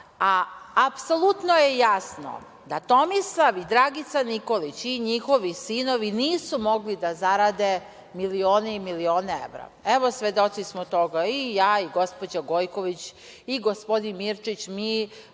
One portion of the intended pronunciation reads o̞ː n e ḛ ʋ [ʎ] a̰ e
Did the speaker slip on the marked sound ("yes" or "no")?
yes